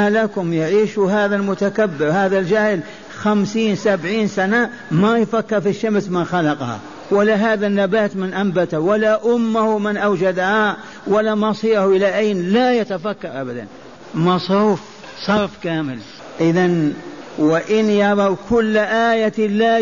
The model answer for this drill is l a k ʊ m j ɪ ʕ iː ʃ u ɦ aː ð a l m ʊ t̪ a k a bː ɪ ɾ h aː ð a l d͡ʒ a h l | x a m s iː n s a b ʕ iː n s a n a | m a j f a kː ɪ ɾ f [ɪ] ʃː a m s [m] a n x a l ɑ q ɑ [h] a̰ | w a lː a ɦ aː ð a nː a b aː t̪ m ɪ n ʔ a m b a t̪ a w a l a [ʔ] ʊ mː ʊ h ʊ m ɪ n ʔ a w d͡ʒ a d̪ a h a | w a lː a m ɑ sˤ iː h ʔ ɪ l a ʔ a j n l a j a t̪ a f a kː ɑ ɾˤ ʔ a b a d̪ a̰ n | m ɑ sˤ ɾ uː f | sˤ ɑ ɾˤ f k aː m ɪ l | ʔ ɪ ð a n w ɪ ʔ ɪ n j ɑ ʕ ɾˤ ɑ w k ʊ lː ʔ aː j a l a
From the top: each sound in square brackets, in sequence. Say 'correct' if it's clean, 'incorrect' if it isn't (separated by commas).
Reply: incorrect, correct, correct, correct